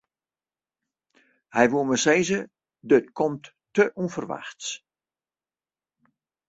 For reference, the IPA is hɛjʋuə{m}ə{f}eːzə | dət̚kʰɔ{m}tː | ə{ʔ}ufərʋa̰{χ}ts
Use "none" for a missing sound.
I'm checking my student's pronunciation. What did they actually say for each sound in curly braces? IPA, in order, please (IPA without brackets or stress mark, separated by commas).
m, s, m, ʔ, x